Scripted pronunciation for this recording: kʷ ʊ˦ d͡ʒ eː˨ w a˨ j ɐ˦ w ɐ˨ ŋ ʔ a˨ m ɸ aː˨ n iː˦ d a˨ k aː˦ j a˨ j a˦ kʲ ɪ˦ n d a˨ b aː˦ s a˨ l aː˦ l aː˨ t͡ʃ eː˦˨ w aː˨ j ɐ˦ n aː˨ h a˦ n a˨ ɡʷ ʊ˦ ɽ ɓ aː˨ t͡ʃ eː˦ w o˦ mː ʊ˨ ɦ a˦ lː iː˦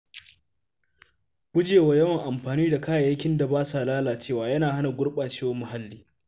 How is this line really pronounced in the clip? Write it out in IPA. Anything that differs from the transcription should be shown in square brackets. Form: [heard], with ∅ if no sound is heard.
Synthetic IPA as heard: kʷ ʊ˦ d͡ʒ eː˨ w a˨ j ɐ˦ w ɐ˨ ŋ ʔ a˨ m ɸ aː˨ n iː˦ d a˨ k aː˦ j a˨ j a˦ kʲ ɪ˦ n d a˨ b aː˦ s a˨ l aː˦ l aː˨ t͡ʃ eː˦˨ w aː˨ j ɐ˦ n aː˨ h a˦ n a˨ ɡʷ ʊ˦ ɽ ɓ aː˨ t͡ʃ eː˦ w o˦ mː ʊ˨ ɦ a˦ lː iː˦